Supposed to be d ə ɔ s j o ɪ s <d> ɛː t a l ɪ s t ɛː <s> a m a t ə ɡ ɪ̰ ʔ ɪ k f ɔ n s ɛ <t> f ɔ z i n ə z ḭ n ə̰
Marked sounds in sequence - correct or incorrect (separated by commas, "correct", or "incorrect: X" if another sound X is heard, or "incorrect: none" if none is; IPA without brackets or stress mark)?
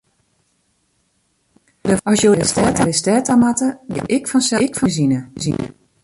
incorrect: t, incorrect: t, incorrect: k